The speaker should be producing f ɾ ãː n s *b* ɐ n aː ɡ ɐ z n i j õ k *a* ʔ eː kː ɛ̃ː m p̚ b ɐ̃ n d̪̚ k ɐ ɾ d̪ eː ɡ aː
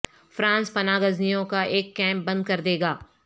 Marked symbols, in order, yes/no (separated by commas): no, yes